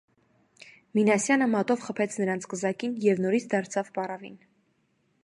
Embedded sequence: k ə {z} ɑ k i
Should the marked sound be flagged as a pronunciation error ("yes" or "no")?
no